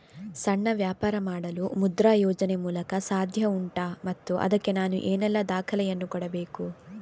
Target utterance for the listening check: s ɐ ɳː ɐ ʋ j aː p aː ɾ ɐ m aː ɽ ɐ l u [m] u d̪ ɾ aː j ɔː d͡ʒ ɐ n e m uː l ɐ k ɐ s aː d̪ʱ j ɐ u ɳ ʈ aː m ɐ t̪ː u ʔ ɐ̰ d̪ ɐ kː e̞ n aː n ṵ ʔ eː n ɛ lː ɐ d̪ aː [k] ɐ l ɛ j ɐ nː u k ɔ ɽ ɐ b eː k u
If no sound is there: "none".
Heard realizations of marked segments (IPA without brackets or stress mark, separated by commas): m, kʰ